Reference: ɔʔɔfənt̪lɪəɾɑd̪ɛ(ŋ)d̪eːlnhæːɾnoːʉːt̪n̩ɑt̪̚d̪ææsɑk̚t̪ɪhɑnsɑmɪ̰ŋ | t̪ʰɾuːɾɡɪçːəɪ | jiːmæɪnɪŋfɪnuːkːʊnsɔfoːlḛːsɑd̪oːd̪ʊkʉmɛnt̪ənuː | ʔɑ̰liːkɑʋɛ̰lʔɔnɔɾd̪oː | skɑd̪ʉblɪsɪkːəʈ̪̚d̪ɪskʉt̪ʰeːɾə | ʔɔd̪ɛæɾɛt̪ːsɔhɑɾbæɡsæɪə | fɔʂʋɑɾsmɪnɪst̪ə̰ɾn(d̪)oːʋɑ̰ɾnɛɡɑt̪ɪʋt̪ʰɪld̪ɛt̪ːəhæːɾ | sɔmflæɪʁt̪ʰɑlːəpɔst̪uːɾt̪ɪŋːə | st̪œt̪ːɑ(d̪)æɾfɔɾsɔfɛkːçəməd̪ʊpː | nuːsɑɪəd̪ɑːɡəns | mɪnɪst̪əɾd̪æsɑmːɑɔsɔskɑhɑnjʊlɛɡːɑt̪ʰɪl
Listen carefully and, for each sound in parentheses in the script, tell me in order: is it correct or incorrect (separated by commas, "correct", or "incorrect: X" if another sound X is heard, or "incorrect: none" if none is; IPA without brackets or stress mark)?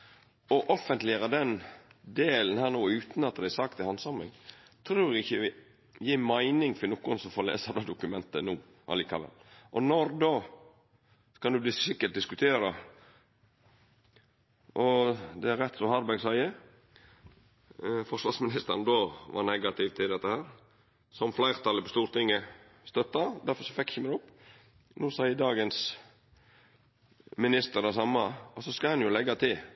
incorrect: n, correct, correct